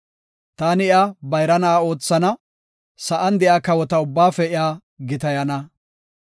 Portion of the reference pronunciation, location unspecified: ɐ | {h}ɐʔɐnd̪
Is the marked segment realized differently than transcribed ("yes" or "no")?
yes